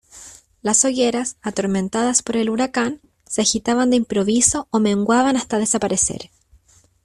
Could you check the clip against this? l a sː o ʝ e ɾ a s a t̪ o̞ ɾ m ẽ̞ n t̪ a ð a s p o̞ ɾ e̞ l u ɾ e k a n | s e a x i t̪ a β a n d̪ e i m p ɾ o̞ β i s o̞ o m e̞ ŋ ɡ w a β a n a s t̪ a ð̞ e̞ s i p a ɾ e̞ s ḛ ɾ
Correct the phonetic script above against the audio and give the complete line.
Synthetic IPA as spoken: l a s o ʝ e ɾ a s a t̪ o̞ ɾ m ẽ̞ n t̪ a ð a s p o̞ ɾ e̞ l u ɾ a k a n | s e a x i t̪ a β a n d̪ e i m p ɾ o̞ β i s o̞ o m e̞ ŋ ɡ w a β a n a s t̪ a ð̞ e̞ s a p a ɾ e̞ s ḛ ɾ